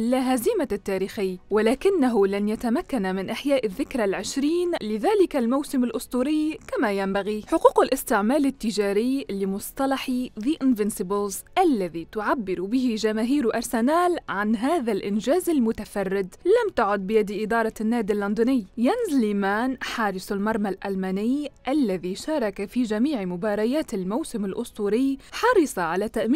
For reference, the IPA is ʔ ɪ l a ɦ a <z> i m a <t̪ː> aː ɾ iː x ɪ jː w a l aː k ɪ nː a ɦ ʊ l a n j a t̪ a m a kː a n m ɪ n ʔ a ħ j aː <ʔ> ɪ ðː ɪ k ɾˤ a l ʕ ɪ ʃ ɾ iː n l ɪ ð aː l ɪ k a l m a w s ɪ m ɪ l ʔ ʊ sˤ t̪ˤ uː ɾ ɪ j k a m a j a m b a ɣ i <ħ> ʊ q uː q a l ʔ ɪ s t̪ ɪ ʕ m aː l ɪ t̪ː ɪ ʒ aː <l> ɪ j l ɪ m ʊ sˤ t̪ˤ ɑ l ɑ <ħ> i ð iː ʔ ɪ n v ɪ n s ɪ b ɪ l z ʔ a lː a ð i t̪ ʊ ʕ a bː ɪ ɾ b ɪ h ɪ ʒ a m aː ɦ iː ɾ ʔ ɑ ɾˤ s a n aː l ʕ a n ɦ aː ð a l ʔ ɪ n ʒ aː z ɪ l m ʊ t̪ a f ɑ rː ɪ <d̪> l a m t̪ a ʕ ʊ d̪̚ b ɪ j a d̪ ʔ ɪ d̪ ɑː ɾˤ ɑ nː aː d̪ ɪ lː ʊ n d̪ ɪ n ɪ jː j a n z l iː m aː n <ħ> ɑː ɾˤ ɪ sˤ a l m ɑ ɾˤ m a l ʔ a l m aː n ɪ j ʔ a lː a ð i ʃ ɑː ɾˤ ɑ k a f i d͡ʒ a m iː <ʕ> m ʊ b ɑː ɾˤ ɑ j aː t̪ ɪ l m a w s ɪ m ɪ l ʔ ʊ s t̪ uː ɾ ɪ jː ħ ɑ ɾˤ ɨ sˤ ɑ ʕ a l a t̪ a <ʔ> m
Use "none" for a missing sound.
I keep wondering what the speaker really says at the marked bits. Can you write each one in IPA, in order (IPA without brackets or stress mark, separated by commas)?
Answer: z, t̪ː, ʔ, ħ, ɾ, ħ, d̪, ħ, ʕ, ʔ